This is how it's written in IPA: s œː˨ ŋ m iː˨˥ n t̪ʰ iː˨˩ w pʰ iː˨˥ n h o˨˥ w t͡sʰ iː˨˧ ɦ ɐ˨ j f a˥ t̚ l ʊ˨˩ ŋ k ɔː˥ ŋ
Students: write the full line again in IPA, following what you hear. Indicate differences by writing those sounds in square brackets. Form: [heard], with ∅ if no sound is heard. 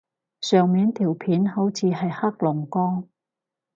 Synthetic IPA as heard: s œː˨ ŋ m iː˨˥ n t̪ʰ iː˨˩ w pʰ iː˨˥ n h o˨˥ w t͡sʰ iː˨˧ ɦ ɐ˨ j [h] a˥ [k̚] l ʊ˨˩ ŋ k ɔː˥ ŋ